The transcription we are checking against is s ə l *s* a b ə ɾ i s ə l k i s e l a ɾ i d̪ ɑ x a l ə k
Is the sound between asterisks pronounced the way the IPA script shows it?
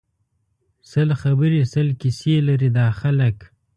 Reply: no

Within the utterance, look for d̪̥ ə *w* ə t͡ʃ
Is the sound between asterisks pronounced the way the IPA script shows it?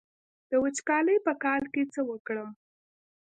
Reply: yes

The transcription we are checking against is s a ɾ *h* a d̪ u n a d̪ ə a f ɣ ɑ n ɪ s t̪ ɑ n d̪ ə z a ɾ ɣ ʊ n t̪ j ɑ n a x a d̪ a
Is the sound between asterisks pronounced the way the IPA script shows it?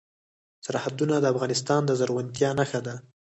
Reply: yes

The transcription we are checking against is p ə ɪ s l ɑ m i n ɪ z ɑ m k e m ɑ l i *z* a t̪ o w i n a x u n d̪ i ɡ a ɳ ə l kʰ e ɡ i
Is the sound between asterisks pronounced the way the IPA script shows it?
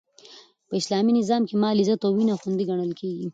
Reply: yes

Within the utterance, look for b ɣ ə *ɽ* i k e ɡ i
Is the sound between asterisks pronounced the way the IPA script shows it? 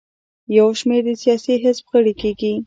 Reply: yes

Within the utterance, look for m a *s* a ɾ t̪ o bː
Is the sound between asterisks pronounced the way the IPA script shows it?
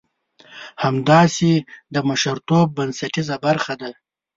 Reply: no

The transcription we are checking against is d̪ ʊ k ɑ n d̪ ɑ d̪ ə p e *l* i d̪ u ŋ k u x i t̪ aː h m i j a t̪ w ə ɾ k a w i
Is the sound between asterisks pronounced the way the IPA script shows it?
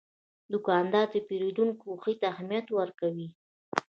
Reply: no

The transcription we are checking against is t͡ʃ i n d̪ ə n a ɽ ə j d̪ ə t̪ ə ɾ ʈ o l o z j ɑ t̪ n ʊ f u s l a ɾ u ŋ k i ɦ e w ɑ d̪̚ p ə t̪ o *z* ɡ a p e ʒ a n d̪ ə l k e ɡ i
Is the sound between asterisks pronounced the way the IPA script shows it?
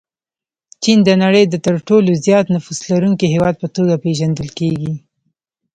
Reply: no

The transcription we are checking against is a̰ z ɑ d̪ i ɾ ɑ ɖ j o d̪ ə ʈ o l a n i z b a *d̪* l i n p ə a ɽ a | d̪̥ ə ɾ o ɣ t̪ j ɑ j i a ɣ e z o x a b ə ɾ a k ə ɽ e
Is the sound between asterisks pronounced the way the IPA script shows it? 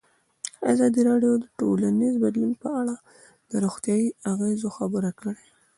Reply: yes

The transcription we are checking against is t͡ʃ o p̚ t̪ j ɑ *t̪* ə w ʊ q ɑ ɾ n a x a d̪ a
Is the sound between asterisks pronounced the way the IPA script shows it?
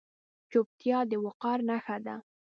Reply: no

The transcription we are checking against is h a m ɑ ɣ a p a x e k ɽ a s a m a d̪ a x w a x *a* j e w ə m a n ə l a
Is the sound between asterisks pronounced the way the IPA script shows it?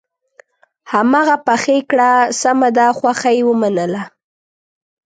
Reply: yes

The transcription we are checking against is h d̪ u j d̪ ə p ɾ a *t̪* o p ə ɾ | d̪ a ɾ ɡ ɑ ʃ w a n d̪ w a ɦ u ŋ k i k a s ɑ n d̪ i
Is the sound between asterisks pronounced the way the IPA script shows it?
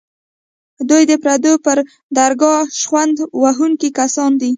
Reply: no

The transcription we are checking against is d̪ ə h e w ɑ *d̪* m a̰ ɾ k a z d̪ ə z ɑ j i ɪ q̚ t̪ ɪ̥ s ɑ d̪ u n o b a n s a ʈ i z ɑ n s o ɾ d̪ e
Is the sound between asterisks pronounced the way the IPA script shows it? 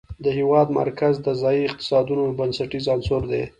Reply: yes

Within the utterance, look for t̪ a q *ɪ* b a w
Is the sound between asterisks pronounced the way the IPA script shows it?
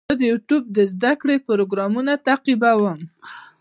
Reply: no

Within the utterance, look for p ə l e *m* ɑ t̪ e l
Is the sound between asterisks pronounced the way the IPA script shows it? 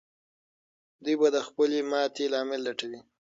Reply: yes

